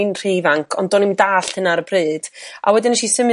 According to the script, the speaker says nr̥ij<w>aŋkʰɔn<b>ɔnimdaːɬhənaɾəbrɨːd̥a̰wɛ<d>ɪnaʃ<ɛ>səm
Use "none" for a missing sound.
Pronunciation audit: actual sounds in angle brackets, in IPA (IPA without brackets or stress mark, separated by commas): v, d, d, i